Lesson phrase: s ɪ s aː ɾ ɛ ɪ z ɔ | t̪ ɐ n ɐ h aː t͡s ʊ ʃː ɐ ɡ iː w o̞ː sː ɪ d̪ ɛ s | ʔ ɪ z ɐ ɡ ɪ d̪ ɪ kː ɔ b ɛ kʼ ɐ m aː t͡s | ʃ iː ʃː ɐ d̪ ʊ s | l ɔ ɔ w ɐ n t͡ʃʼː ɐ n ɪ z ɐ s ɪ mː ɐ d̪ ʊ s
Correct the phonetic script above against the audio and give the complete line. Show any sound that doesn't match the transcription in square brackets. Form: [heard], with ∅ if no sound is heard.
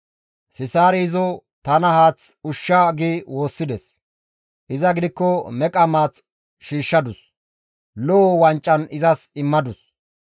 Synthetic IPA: s ɪ s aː ɾ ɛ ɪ z ɔ | t̪ ɐ n ɐ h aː t͡s ʊ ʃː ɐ ɡ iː w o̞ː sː ɪ d̪ ɛ s | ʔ ɪ z ɐ ɡ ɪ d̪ ɪ kː ɔ [m] ɛ kʼ ɐ m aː t͡s | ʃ iː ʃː ɐ d̪ ʊ s | l ɔ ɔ w ɐ n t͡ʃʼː ɐ n ɪ z ɐ s ɪ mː ɐ d̪ ʊ s

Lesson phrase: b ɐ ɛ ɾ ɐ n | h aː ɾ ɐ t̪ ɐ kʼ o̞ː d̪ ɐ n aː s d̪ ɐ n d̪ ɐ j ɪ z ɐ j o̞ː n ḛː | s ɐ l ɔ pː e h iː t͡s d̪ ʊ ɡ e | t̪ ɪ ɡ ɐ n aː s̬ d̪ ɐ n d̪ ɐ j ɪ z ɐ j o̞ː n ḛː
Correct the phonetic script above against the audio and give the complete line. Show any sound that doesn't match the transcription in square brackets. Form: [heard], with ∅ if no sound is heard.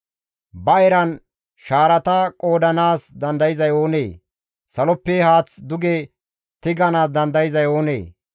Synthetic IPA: b ɐ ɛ ɾ ɐ n | [ʃ] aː ɾ ɐ t̪ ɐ kʼ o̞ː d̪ ɐ n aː s d̪ ɐ n d̪ ɐ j ɪ z ɐ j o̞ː n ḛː | s ɐ l ɔ pː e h [aː] t͡s d̪ ʊ ɡ e | t̪ ɪ ɡ ɐ n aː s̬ d̪ ɐ n d̪ ɐ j ɪ z ɐ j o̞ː n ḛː

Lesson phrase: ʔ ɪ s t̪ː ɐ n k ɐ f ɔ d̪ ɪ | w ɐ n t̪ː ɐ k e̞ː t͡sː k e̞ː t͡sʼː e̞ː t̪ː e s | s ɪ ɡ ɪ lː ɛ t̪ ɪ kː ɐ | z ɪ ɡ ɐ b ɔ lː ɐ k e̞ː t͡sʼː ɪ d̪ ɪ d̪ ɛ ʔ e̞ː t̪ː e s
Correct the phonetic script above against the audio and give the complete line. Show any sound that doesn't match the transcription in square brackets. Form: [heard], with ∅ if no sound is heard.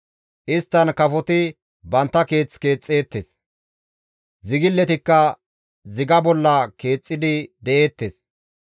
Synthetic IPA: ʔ ɪ s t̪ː ɐ n k ɐ f ɔ [t̪] ɪ | [b] ɐ n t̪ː ɐ k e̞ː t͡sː k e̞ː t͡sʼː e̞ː t̪ː e s | [z] ɪ ɡ ɪ lː ɛ t̪ ɪ kː ɐ | z ɪ ɡ ɐ b ɔ lː ɐ k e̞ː t͡sʼː ɪ d̪ ɪ d̪ ɛ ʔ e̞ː t̪ː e s

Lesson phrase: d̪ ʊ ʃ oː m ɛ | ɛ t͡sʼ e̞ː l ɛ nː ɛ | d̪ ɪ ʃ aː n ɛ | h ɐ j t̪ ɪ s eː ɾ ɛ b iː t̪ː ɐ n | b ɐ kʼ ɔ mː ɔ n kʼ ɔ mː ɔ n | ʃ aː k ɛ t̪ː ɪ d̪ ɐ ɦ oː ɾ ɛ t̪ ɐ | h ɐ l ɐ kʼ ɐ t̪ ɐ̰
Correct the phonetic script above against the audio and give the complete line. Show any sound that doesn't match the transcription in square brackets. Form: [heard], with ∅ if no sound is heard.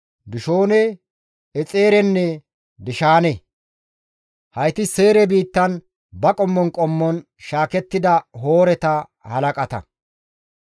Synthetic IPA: d̪ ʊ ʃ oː [n] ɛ | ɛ t͡sʼ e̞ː [ɾ] ɛ nː ɛ | d̪ ɪ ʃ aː n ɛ | h ɐ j t̪ ɪ s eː ɾ ɛ b iː t̪ː ɐ n | b ɐ kʼ ɔ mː ɔ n kʼ ɔ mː ɔ n | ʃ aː k ɛ t̪ː ɪ d̪ ɐ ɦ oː ɾ ɛ t̪ ɐ | h ɐ l ɐ kʼ ɐ t̪ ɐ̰

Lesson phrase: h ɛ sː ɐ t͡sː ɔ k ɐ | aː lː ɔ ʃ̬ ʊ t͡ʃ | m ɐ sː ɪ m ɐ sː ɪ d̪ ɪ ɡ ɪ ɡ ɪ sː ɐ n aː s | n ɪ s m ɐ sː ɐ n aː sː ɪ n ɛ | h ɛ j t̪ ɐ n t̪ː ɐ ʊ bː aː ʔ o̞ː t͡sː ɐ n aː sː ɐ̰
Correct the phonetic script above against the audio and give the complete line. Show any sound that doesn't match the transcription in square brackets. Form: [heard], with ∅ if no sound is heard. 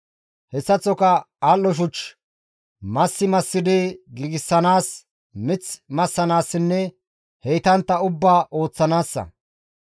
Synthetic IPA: h ɛ sː ɐ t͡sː ɔ k ɐ | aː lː ɔ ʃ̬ ʊ t͡ʃ | m ɐ sː ɪ m ɐ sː ɪ d̪ ɪ ɡ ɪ ɡ ɪ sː ɐ n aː s | [m] ɪ [t͡s] m ɐ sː ɐ n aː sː ɪ [nː] ɛ | h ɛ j t̪ ɐ n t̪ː ɐ ʊ bː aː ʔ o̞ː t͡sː ɐ n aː sː ɐ̰

